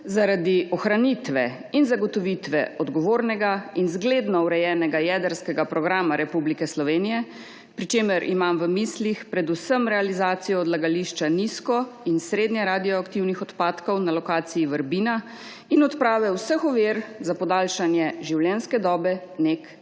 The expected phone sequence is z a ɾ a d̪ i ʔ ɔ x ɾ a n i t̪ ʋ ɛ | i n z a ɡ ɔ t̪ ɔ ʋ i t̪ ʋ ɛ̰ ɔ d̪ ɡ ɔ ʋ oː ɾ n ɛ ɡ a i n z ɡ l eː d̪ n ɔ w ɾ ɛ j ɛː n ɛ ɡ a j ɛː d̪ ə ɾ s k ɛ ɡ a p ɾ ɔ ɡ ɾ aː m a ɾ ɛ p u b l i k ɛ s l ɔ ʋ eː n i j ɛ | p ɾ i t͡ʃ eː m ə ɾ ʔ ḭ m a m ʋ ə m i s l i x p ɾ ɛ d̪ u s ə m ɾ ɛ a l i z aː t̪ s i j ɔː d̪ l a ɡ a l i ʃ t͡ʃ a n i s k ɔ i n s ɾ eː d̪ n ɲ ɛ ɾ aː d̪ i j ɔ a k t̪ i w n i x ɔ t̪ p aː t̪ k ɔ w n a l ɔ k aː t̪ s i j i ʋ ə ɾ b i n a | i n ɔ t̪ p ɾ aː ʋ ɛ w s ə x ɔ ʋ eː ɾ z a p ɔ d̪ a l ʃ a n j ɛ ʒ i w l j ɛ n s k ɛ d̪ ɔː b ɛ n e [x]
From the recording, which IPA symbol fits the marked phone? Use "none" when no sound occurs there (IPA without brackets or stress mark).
k